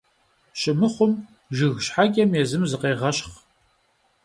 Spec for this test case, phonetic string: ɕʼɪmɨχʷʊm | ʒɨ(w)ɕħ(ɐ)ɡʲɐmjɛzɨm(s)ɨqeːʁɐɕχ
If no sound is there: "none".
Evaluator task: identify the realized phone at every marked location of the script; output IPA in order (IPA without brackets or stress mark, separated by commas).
ɣ, a, z